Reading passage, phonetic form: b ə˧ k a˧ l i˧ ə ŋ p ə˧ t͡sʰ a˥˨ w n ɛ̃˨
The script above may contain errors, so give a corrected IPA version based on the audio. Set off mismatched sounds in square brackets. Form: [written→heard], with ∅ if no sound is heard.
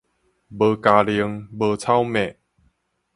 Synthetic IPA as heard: b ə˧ k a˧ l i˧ ə ŋ [p→b] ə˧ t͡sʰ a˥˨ w [n→m] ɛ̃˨